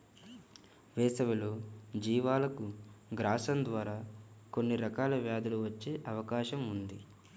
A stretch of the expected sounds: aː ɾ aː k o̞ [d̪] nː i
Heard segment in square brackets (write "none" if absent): none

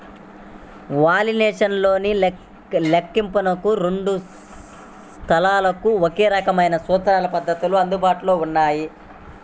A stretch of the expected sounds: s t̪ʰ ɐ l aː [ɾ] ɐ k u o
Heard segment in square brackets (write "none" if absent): l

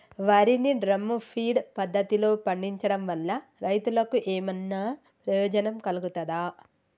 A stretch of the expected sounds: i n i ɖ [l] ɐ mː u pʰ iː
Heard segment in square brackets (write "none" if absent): ɾ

